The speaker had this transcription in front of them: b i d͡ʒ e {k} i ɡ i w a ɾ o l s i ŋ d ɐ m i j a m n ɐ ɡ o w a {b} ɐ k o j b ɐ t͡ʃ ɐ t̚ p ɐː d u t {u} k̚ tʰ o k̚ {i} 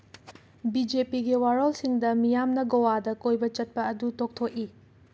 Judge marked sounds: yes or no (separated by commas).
no, no, no, yes